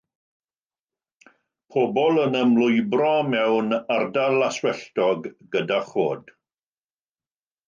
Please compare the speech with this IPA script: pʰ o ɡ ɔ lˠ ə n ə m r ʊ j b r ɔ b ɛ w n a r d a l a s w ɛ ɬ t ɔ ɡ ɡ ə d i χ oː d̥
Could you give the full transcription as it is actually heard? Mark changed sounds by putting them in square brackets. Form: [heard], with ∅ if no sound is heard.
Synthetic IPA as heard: pʰ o [b] ɔ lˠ ə n ə m [l] ʊ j b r ɔ [m] ɛ w n a r d a l a s w ɛ ɬ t ɔ ɡ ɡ ə d [a] χ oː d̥